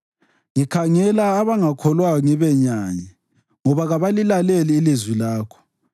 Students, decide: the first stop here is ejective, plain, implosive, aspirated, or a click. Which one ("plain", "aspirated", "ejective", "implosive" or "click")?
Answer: aspirated